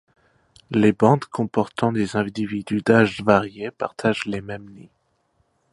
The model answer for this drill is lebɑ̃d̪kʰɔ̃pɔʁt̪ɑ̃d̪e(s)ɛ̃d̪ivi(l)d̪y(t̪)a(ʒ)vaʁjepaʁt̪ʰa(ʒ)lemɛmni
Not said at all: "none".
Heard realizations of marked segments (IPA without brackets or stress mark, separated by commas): z, none, d̪, ʒ, ʒ